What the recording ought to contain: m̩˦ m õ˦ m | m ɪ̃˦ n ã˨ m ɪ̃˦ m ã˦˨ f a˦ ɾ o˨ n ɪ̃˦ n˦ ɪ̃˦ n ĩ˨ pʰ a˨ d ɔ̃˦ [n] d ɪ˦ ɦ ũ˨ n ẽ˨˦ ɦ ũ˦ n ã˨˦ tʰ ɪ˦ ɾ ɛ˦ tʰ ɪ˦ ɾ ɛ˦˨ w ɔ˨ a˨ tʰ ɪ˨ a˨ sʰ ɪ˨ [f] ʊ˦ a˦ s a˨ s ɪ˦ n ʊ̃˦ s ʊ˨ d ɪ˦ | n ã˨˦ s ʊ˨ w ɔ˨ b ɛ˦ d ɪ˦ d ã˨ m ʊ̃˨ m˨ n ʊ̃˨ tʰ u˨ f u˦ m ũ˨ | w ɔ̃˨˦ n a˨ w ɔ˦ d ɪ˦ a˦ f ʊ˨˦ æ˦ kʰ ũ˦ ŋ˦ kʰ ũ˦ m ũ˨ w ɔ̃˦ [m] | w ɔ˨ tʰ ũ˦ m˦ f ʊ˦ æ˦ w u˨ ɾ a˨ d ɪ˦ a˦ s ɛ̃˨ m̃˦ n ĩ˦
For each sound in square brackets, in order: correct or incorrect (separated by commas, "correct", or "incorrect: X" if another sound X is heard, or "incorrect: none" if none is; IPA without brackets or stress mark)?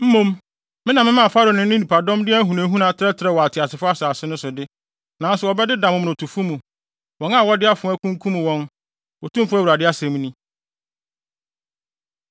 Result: incorrect: m, correct, incorrect: n